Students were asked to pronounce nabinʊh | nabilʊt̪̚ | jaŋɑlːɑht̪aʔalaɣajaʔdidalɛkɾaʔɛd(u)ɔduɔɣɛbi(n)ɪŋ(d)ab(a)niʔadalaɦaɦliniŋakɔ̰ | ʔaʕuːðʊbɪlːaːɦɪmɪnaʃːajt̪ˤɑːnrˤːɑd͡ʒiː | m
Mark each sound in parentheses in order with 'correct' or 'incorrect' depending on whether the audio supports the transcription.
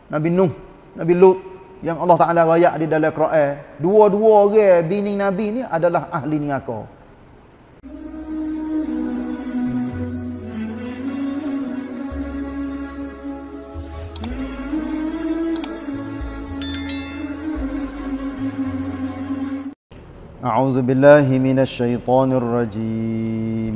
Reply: correct, correct, incorrect, incorrect

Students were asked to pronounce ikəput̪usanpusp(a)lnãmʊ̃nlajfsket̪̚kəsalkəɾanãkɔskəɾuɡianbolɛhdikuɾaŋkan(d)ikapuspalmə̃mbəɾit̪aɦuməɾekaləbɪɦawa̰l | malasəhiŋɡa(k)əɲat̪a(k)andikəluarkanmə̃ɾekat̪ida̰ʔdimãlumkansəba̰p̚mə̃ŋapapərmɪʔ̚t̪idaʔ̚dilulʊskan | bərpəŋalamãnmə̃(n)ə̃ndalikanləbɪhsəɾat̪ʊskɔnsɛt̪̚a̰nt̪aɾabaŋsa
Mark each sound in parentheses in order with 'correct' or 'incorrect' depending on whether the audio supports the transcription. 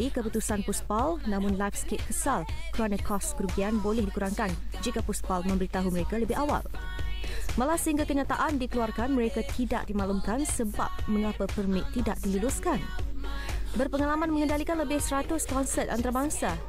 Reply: correct, incorrect, correct, incorrect, incorrect

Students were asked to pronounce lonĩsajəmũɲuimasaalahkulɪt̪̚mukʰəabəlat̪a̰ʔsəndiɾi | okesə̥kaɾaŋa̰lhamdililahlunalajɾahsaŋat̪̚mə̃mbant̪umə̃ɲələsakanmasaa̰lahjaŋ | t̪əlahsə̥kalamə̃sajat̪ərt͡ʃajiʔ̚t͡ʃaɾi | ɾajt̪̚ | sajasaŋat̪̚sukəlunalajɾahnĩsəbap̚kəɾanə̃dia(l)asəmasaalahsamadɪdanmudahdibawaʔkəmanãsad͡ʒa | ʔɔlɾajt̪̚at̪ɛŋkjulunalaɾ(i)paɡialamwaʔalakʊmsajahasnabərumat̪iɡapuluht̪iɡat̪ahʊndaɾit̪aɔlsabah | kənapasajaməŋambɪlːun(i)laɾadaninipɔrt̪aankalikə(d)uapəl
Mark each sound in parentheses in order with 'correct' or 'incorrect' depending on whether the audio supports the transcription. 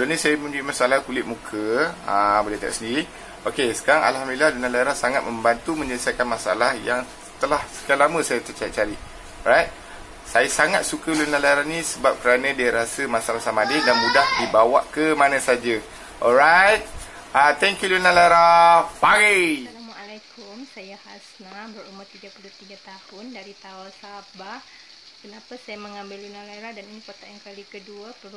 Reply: incorrect, incorrect, incorrect, correct

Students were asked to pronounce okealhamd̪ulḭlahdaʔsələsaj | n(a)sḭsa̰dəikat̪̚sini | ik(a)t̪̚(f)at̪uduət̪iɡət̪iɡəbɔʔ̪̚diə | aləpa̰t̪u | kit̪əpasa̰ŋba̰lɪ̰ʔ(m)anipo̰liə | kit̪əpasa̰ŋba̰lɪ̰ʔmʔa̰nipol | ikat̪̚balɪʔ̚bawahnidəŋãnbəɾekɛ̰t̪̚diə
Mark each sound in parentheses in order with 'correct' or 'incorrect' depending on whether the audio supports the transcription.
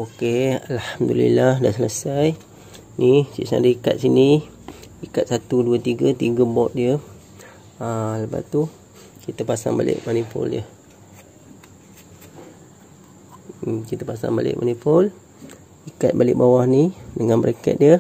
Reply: incorrect, correct, incorrect, correct

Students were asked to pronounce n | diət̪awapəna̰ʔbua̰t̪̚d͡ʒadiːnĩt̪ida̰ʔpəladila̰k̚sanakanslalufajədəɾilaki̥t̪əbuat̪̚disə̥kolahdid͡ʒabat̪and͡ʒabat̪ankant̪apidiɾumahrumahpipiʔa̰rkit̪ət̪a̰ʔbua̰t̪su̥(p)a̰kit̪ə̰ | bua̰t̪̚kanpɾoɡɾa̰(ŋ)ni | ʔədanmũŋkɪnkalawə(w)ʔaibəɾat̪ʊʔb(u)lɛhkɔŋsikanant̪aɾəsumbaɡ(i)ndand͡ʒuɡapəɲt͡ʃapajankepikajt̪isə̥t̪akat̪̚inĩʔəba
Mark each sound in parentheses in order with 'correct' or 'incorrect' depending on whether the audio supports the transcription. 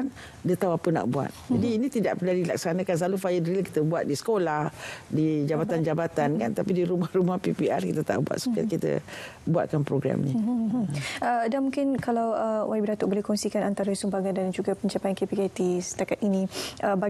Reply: incorrect, incorrect, correct, incorrect, incorrect

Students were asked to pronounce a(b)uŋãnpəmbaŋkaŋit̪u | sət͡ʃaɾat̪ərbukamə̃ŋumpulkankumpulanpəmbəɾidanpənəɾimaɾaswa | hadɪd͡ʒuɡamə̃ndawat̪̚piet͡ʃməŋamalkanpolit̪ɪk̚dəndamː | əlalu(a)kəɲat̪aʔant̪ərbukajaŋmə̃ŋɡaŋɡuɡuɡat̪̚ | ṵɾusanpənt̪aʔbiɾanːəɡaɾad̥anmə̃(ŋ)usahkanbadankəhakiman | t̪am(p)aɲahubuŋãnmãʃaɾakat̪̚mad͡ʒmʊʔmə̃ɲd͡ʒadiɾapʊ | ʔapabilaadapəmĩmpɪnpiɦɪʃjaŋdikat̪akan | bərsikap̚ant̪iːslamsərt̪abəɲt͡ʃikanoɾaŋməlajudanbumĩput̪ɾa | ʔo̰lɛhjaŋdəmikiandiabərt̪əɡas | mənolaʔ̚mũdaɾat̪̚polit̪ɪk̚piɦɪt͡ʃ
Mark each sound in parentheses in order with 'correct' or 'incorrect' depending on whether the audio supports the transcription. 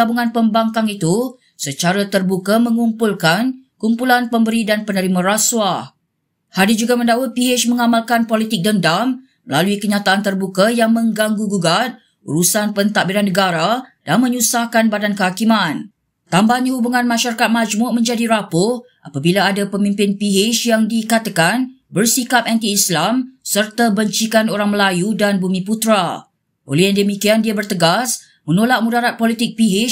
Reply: correct, incorrect, incorrect, incorrect

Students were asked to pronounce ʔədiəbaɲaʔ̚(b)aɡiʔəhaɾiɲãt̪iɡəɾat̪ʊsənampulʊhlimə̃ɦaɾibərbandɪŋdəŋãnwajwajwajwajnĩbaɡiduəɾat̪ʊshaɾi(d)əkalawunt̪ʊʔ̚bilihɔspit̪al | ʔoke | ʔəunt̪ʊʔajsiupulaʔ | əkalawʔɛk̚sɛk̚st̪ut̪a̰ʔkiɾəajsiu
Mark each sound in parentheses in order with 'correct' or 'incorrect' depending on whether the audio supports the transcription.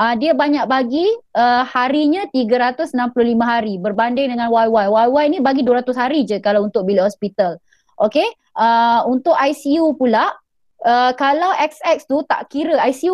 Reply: correct, incorrect

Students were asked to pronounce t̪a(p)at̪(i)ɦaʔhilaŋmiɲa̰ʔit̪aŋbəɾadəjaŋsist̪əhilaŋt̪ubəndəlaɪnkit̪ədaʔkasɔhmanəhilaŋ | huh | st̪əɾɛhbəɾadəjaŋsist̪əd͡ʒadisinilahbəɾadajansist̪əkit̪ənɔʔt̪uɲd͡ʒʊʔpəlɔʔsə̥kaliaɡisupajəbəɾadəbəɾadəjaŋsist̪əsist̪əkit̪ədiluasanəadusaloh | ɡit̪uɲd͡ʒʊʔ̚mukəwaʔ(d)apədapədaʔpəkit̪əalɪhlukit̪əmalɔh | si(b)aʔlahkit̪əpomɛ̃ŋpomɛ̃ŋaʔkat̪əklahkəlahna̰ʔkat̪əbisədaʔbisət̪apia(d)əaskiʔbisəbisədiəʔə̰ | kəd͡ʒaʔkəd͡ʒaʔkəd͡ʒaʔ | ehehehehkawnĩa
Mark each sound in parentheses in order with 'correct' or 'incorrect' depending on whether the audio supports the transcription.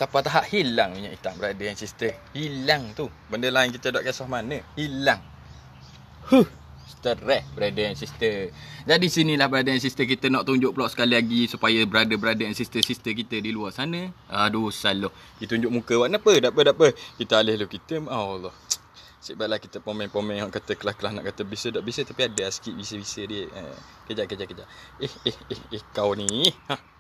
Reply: correct, incorrect, incorrect, correct, correct

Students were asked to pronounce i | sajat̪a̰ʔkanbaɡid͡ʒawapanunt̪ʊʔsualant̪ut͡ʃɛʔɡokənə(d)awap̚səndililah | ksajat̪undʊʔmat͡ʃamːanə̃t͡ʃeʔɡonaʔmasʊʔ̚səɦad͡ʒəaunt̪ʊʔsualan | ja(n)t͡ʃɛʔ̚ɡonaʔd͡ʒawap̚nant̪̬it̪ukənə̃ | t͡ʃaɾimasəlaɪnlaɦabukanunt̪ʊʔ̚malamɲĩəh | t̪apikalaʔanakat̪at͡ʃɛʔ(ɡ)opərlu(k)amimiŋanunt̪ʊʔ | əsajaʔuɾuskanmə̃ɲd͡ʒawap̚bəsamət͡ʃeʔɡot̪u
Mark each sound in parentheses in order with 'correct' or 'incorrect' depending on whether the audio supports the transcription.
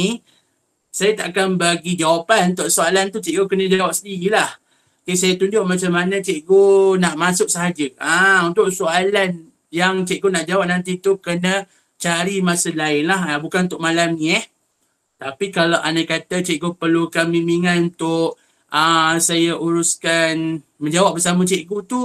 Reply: incorrect, incorrect, correct, correct

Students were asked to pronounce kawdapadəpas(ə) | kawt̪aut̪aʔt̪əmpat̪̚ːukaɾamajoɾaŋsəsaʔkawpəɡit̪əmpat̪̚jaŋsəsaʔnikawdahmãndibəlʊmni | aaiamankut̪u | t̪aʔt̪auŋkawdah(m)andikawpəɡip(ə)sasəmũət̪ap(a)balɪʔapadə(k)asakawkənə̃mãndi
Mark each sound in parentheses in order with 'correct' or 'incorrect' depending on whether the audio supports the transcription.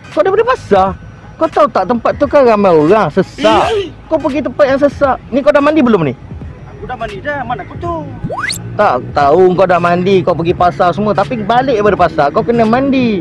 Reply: incorrect, correct, incorrect, incorrect, incorrect

